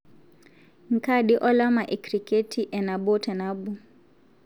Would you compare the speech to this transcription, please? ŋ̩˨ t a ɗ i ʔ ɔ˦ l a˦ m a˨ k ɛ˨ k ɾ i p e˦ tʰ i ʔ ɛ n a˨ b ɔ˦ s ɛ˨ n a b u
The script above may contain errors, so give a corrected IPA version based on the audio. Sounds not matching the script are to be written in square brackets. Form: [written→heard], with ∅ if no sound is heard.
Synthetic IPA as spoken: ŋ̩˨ [t→k] a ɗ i ʔ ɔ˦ l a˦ m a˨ [k→ʔ] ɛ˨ k ɾ i [p→k] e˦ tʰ i ʔ ɛ n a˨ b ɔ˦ [s→t] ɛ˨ n a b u